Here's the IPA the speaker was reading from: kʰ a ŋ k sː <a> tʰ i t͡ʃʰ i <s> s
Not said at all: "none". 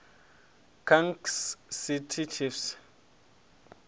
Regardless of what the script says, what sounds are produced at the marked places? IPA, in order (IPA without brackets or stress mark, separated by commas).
i, f